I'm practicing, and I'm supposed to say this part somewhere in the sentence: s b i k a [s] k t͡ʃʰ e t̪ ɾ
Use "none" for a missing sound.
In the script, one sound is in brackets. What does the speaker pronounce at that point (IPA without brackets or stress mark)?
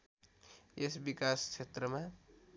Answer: s